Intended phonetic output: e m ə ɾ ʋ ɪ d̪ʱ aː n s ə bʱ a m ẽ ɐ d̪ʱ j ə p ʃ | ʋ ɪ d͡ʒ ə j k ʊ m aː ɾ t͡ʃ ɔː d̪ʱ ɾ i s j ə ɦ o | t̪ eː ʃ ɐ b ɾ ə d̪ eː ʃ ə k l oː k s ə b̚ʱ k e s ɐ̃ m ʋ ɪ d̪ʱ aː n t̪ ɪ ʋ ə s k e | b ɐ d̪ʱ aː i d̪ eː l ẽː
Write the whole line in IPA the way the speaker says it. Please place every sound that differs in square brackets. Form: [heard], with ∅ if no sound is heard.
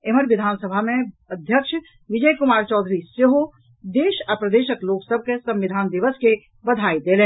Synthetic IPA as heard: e m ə ɾ ʋ ɪ d̪ʱ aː n s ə bʱ a m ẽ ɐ d̪ʱ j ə [k] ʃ | ʋ ɪ d͡ʒ ə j k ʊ m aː ɾ t͡ʃ ɔː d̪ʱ ɾ i s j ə ɦ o | [d̪] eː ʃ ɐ [p] ɾ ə d̪ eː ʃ ə k l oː k s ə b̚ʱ k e s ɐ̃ m ʋ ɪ d̪ʱ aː n [d̪] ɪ ʋ ə s k e | b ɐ d̪ʱ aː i d̪ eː l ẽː

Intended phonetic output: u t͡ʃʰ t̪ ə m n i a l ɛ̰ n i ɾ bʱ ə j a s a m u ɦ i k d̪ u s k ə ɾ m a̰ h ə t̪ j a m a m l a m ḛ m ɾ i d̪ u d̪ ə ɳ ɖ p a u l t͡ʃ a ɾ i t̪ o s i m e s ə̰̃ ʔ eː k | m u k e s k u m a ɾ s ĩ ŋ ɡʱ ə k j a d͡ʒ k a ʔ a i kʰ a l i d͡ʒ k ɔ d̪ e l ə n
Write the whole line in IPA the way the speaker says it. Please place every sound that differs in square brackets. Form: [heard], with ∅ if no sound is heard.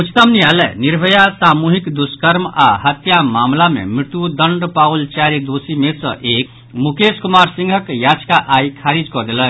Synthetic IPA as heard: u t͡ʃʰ t̪ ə m n i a l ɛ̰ n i ɾ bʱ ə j a s a m u ɦ i k d̪ u s k ə ɾ m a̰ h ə t̪ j a m a m l a m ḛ m ɾ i [t̪] u d̪ ə ɳ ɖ p a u l t͡ʃ a ɾ i [d̪] o s i m e s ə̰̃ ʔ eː k | m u k e s k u m a ɾ s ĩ ŋ ɡʱ ə k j a d͡ʒ k a ʔ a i kʰ a [ɾ] i d͡ʒ k ɔ d̪ e l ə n

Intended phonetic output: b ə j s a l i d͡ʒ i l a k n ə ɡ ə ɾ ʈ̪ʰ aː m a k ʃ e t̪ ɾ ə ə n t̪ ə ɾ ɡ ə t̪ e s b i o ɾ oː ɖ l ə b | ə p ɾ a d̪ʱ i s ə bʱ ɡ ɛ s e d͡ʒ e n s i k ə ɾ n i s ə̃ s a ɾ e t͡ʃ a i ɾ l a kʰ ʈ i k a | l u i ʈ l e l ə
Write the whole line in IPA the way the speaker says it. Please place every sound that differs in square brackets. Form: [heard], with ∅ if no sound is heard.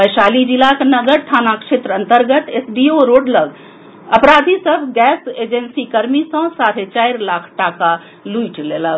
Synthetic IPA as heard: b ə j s a l i d͡ʒ i l a k n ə ɡ ə ɾ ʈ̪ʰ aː [n] a k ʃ e t̪ ɾ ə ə n t̪ ə ɾ ɡ ə t̪ e s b i o ɾ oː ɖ l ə [ɡ] | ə p ɾ a d̪ʱ i s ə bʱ ɡ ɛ s e d͡ʒ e n s i k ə ɾ [m] i s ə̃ s a ɾ e t͡ʃ a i ɾ l a kʰ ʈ [a] k a | l u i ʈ l e l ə

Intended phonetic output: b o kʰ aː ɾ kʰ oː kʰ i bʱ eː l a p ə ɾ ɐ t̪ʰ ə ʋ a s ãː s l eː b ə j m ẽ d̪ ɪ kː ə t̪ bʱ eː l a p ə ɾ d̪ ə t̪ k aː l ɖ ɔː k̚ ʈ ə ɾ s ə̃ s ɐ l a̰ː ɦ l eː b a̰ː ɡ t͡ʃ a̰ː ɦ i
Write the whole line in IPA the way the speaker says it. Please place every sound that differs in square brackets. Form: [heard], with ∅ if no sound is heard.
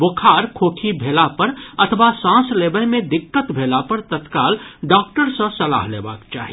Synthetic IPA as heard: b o kʰ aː ɾ kʰ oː kʰ i bʱ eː l a p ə ɾ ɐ t̪ʰ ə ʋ a s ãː s l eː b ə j m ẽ d̪ ɪ kː ə t̪ bʱ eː l a p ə ɾ [t̪] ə t̪ k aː l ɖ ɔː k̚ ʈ ə ɾ s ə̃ s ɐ l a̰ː ɦ l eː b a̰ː [k] t͡ʃ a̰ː ɦ i

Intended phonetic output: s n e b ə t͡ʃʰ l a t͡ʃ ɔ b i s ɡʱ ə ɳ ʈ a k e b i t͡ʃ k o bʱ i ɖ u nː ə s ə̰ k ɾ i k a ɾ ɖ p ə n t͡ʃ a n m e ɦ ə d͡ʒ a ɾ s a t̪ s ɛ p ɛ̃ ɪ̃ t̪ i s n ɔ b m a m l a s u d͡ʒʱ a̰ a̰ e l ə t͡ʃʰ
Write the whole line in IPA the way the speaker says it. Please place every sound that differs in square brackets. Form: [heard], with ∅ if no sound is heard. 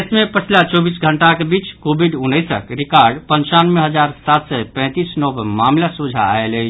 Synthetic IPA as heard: s [m] e [p] ə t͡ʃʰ l a t͡ʃ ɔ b i s ɡʱ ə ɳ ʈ a k e b i t͡ʃ k o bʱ i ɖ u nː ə s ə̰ k ɾ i k a ɾ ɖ p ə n t͡ʃ a n m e ɦ ə d͡ʒ a ɾ s a t̪ s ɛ p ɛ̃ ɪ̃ t̪ i s n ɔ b m a m l a s u d͡ʒʱ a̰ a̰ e l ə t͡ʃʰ

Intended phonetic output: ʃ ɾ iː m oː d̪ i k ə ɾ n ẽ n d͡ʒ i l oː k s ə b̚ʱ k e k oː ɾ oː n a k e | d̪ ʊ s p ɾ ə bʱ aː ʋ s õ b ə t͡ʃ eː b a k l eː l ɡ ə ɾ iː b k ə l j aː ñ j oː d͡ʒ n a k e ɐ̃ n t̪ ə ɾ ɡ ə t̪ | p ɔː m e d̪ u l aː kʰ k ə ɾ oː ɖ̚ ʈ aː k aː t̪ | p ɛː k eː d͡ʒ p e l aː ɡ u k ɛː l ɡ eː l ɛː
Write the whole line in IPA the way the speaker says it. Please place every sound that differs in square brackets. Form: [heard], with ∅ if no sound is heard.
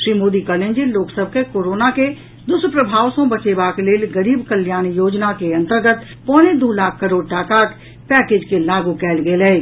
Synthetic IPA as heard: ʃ ɾ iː m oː d̪ i k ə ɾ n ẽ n d͡ʒ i l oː k s ə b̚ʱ k e k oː ɾ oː n a k e | d̪ ʊ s p ɾ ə bʱ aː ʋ s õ b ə t͡ʃ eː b a k l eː l ɡ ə ɾ iː b k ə l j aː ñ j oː d͡ʒ n a k e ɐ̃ n t̪ ə ɾ ɡ ə t̪ | p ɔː [n] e d̪ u l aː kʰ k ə ɾ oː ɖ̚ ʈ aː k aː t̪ | p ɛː k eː d͡ʒ [k] e l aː ɡ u k ɛː l ɡ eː l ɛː

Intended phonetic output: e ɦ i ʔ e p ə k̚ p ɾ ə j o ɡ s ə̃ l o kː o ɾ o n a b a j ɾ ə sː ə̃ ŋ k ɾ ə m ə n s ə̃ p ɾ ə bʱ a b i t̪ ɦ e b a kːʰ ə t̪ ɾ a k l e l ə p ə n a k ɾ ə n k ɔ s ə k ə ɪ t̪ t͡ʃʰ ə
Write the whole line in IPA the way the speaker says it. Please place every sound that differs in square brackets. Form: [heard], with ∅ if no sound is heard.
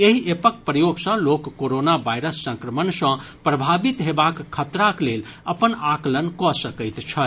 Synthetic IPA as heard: e ɦ i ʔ e p ə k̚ p ɾ ə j o ɡ s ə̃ l o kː o ɾ o n a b a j ɾ ə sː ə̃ ŋ k ɾ ə m ə n s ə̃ p ɾ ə bʱ a b i t̪ ɦ e b a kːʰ ə t̪ ɾ a k l e l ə p ə n a k [l] ə n k ɔ s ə k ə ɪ t̪ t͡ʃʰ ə

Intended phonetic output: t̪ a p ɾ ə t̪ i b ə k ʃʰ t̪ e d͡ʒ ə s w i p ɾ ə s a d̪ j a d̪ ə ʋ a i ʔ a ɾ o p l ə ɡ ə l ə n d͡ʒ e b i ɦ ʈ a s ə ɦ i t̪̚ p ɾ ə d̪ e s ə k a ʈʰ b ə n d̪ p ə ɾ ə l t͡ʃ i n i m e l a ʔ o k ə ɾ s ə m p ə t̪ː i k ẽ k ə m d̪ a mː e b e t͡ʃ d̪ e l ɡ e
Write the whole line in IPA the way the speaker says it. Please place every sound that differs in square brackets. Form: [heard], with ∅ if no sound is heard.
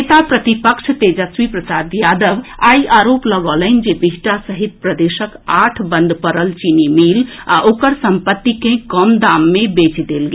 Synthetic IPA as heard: t̪ a p ɾ ə t̪ i [p] ə k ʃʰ t̪ e d͡ʒ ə s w i p ɾ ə s a d̪ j a d̪ ə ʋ a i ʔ a ɾ o p l ə ɡ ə l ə n d͡ʒ e b i ɦ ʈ a s ə ɦ i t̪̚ p ɾ ə d̪ e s ə k a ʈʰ b ə n d̪ p ə ɾ ə l t͡ʃ i n i m [i] l a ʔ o k ə ɾ s ə m p ə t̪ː i k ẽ k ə m d̪ a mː e b e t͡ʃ d̪ e l ɡ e

